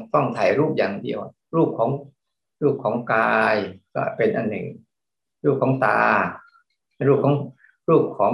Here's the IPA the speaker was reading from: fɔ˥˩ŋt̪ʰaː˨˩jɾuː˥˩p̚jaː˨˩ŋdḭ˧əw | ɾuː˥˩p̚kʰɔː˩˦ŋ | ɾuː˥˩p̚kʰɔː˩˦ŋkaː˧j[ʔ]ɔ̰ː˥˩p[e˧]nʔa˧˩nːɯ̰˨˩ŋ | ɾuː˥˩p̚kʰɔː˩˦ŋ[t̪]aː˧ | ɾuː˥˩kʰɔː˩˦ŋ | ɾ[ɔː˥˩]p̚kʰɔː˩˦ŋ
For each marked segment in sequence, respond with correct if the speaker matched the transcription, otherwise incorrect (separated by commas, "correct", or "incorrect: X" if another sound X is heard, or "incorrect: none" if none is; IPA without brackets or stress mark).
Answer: incorrect: k, correct, correct, incorrect: uː˥˩